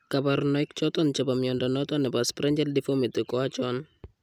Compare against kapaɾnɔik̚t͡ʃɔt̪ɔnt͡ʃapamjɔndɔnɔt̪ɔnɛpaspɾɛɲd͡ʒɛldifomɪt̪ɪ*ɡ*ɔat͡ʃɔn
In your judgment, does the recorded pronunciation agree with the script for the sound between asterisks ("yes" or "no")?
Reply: no